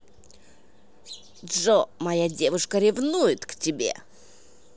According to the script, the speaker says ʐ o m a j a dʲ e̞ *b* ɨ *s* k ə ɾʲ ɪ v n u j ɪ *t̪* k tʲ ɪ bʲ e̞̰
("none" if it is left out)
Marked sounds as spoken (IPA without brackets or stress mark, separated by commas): v, ʂ, t̪